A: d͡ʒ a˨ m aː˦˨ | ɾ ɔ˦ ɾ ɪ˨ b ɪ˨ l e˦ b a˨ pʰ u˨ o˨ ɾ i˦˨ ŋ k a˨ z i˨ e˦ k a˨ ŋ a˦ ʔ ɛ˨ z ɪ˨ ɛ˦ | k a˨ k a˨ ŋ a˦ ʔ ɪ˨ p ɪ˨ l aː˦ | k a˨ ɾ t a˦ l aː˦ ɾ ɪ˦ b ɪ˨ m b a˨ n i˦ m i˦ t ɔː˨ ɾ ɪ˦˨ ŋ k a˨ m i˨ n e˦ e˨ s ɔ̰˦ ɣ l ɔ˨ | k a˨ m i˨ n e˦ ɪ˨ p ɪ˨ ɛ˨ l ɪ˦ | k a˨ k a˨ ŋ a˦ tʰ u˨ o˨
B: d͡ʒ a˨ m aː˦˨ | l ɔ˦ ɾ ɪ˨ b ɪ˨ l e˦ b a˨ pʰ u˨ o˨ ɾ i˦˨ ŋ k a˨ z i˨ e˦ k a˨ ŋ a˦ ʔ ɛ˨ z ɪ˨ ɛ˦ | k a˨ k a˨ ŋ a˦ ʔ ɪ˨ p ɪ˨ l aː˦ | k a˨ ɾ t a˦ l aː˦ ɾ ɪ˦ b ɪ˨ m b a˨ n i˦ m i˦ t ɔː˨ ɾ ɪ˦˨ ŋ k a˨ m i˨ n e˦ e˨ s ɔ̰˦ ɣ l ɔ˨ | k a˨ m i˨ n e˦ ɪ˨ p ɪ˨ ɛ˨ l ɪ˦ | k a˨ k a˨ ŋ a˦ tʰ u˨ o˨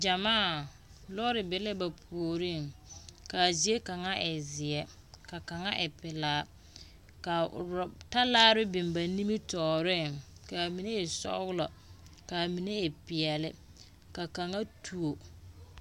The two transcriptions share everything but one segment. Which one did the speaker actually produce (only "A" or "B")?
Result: B